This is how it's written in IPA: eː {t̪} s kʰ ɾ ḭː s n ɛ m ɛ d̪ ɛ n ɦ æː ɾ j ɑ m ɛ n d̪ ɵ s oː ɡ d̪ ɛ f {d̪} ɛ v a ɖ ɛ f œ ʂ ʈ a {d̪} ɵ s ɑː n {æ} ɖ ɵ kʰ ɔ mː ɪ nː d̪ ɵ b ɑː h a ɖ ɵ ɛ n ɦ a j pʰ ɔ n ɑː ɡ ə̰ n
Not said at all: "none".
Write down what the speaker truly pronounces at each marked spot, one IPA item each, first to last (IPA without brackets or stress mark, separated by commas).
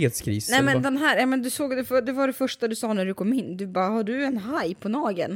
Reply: t̪, d̪, d̪, æ